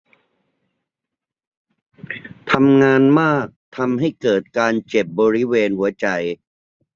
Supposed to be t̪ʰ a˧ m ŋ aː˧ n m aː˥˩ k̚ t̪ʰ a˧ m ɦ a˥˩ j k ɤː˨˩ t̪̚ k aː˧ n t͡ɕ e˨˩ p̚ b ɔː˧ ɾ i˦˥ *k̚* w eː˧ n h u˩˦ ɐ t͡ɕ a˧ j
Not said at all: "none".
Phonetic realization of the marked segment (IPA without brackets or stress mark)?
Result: none